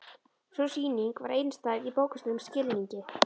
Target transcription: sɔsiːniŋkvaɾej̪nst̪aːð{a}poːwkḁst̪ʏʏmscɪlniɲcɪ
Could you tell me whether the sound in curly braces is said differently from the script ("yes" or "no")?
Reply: yes